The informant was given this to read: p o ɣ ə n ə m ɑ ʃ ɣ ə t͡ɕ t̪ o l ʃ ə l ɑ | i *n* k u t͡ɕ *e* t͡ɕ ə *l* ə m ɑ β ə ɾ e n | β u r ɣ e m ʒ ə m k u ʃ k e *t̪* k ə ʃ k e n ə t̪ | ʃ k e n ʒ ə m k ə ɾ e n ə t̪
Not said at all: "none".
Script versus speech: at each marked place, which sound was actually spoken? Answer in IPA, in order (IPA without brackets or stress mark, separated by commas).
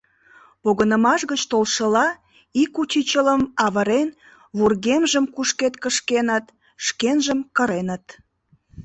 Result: none, i, l, t̪